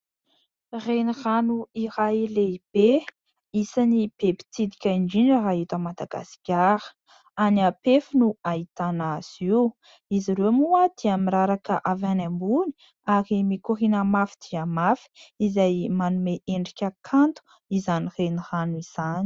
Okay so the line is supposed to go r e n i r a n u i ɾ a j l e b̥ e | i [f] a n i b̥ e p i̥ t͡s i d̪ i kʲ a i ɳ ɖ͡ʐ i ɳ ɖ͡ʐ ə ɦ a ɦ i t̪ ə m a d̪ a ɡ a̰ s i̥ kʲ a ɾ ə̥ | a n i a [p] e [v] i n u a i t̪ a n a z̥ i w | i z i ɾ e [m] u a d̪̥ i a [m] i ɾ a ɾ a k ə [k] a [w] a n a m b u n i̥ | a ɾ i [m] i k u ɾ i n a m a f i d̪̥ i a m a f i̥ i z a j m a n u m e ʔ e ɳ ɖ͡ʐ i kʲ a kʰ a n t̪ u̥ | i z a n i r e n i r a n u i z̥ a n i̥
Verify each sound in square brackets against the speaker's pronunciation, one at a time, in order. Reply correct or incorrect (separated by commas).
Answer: incorrect, correct, incorrect, correct, correct, incorrect, incorrect, correct